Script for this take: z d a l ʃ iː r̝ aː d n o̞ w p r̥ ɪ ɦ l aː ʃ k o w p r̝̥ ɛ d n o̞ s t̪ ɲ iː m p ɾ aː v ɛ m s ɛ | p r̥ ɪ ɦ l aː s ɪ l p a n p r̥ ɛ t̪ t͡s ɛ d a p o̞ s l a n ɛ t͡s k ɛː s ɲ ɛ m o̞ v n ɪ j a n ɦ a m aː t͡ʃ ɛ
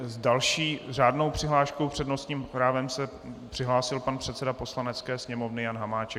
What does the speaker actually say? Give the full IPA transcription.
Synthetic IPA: z d a l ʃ iː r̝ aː d n o̞ w p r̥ ɪ ɦ l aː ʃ k o w p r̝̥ ɛ d n o̞ s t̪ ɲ iː m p ɾ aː v ɛ m s ɛ | p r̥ ɪ ɦ l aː s ɪ l p a n p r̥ ɛ t̪ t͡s ɛ d a p o̞ s l a n ɛ t͡s k ɛː s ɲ ɛ m o̞ v n ɪ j a n ɦ a m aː t͡ʃ ɛ